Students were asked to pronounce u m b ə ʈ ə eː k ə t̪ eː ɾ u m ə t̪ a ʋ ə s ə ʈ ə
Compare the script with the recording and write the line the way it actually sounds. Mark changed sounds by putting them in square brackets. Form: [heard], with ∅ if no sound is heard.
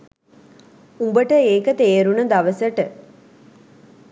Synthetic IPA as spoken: u m b ə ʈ ə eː k ə t̪ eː ɾ u [n] ə [d̪] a ʋ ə s ə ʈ ə

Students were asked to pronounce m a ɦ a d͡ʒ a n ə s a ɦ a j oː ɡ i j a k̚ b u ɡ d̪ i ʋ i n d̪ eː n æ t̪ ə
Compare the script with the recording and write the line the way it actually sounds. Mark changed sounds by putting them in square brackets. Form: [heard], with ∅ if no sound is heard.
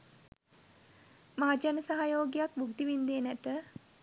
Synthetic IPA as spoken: m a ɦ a d͡ʒ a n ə s a ɦ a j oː ɡ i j a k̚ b u ɡ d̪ i ʋ i n d̪ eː n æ t̪ ə

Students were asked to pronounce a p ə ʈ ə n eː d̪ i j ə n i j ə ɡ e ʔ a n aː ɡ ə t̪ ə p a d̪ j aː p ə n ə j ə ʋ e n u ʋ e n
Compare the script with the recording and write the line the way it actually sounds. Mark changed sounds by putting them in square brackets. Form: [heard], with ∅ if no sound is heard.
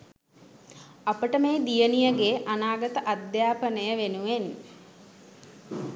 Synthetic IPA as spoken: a p ə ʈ ə [m] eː d̪ i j ə n i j ə ɡ e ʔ a n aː ɡ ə t̪ ə [ʔ] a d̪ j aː p ə n ə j ə ʋ e n u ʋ e n

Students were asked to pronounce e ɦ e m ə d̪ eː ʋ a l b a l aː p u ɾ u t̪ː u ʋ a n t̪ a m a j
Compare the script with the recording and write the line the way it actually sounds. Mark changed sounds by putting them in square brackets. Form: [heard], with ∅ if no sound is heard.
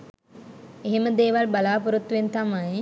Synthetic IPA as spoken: e ɦ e m ə d̪ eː ʋ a l b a l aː p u ɾ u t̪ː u ʋ [e] n t̪ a m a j

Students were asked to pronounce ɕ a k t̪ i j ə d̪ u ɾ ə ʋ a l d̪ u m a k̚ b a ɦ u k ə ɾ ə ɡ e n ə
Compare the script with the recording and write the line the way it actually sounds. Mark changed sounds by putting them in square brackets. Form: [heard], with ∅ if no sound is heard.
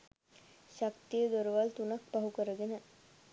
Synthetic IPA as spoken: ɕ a k t̪ i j ə d̪ [o] ɾ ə ʋ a l [t̪] u [n] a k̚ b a ɦ u k ə ɾ ə ɡ e n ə

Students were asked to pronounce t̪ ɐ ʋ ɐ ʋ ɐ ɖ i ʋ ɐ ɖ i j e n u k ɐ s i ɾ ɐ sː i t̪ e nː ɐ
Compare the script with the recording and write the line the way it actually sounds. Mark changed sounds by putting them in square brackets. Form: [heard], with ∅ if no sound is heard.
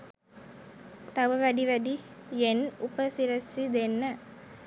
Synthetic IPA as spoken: t̪ ɐ ʋ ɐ ʋ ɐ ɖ i ʋ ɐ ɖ i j e n u [p] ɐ s i ɾ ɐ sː i [d̪] e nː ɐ

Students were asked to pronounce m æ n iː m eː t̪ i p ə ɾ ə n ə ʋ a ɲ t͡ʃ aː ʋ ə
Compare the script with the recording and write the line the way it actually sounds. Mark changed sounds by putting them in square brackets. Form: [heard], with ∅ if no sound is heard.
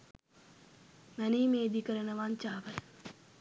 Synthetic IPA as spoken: m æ n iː m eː [d̪] i [k] ə ɾ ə n ə ʋ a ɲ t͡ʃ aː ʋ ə

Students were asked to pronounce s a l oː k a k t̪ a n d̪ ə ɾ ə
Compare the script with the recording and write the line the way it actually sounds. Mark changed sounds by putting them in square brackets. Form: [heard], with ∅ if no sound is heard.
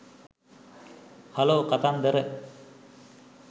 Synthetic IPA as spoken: [h] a l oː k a [∅] t̪ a n d̪ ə ɾ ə

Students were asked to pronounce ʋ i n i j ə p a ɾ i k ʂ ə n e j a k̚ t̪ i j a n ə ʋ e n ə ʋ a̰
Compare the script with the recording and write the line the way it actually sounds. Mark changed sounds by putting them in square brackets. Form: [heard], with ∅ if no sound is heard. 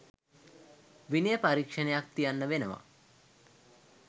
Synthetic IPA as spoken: ʋ i n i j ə p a ɾ i k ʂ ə n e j a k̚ t̪ i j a [nː] ə ʋ e n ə ʋ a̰

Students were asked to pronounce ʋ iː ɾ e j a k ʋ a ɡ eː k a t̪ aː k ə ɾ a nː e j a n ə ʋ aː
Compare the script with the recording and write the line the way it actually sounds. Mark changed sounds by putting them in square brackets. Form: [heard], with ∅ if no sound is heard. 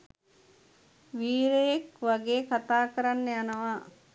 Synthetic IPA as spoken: ʋ iː ɾ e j [e] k ʋ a ɡ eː k a t̪ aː k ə ɾ a nː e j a n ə ʋ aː

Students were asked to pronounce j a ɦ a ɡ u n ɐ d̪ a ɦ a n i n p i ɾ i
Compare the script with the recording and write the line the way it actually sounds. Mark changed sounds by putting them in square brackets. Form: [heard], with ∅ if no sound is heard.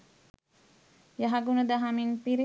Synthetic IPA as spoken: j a ɦ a ɡ u n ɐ d̪ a ɦ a [m] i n p i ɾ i

